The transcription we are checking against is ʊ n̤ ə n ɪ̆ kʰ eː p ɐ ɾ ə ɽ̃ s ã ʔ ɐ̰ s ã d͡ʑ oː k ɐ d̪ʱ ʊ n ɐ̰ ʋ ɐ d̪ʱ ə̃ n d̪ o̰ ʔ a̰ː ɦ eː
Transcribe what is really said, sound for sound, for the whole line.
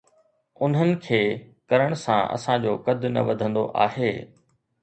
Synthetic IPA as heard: ʊ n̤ ə n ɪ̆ kʰ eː k ɐ ɾ ə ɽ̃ s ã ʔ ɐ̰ s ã d͡ʑ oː k ɐ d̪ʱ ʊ n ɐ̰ ʋ ɐ d̪ʱ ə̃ n d̪ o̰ ʔ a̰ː ɦ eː